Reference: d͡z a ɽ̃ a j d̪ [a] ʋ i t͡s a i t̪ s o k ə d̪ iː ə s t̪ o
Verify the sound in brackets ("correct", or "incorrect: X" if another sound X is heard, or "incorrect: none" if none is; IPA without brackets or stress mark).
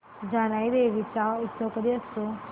incorrect: e